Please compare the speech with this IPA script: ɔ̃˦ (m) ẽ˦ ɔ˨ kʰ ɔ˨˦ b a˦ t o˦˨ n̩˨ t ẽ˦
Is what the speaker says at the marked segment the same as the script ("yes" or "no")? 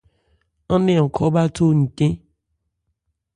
no